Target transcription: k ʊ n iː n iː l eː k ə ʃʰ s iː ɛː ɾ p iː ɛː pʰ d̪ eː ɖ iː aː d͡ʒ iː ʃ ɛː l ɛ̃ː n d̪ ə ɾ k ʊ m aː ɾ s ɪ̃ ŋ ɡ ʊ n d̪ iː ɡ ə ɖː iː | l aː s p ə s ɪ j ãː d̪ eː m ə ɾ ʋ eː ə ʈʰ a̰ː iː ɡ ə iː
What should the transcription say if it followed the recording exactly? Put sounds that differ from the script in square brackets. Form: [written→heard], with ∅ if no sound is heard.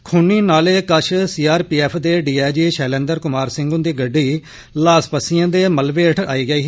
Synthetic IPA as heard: [k→kʰ] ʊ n iː n [iː→aː] l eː k ə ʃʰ s iː [ɛː→aː] ɾ p iː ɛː pʰ d̪ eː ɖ iː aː d͡ʒ iː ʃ ɛː l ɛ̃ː n d̪ ə ɾ k ʊ m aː ɾ s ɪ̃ ŋ ɡ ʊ n d̪ iː ɡ ə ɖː iː | l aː s p ə s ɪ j ãː d̪ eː m ə [ɾ→l] ʋ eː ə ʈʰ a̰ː iː ɡ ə iː